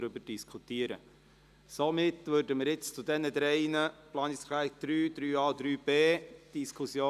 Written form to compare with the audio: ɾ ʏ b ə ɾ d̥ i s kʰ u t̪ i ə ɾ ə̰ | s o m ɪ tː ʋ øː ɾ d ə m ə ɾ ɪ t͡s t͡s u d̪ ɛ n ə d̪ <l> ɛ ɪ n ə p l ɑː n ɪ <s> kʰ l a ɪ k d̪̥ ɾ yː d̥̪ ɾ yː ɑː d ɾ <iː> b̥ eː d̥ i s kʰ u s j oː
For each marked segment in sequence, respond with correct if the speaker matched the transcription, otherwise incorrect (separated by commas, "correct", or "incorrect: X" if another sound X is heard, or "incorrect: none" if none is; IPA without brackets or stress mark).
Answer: incorrect: ɾ, correct, incorrect: yː